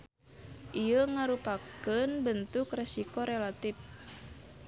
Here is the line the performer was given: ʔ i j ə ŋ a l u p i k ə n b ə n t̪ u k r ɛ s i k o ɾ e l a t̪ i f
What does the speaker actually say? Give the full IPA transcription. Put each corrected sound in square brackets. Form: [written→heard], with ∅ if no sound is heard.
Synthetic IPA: ʔ i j ə ŋ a [l→ɾ] u p [i→a] k ə n b ə n t̪ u k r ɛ s i k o ɾ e l a t̪ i f